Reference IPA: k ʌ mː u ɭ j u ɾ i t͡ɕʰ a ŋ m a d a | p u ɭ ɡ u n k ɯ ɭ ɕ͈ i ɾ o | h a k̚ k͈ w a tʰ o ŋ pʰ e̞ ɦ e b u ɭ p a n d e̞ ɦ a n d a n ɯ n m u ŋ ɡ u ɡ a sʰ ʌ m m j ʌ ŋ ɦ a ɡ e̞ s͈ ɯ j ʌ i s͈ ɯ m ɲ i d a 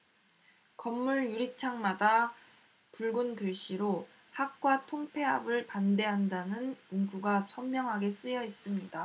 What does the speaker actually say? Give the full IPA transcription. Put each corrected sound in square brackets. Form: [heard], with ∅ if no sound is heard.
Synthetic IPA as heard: k ʌ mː u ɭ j u ɾ i t͡ɕʰ a ŋ m a d a | p u ɭ ɡ u n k ɯ ɭ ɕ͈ i ɾ o | h a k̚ k͈ w a tʰ o ŋ pʰ e̞ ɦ [a] b [ɯ] ɭ p a n d e̞ ɦ a n d a n ɯ n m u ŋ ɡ u ɡ a sʰ ʌ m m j ʌ ŋ ɦ a ɡ e̞ s͈ ɯ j ʌ i s͈ ɯ m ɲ i d a